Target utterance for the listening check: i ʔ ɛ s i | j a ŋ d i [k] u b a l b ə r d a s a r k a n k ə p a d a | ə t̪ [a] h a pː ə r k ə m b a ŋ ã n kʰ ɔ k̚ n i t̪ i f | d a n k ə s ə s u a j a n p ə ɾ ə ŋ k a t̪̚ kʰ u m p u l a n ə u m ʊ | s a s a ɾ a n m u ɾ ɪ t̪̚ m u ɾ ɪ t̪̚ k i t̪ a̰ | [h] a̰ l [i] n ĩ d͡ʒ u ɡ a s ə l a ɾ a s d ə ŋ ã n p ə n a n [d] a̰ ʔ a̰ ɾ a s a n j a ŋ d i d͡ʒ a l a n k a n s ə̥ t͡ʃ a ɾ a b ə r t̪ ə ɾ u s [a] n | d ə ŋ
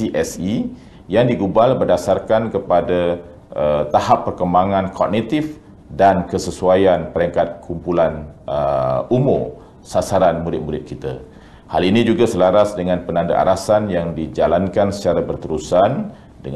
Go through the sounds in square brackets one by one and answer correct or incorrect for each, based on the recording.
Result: incorrect: ɡ, correct, correct, correct, correct, correct

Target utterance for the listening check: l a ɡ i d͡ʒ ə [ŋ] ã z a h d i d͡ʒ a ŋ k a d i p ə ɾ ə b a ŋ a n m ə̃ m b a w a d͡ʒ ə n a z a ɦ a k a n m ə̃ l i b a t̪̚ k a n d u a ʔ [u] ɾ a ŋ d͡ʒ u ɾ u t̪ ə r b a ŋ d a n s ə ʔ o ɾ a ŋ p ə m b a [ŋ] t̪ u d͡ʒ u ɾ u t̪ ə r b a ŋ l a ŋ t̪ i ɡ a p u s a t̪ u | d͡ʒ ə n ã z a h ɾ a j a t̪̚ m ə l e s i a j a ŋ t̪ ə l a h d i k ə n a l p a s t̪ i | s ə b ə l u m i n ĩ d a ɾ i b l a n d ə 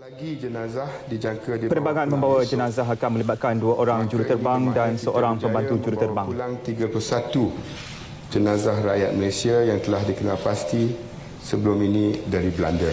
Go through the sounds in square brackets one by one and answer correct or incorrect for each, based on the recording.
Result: incorrect: n, incorrect: o, incorrect: n

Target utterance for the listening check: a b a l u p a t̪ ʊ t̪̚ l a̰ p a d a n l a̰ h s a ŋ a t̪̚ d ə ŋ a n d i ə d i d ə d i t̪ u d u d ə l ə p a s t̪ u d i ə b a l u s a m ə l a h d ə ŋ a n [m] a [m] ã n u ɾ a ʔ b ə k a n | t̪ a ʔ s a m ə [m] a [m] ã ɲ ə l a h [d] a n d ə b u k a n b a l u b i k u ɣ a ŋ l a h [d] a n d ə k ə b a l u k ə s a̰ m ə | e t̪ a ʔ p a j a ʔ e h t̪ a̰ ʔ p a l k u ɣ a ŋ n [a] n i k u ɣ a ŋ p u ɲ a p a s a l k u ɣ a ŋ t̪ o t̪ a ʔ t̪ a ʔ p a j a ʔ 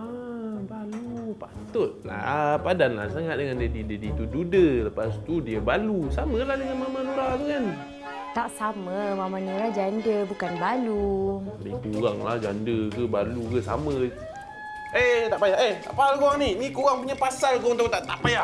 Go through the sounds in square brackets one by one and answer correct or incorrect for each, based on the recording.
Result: correct, correct, correct, correct, incorrect: d͡ʒ, incorrect: d͡ʒ, incorrect: i

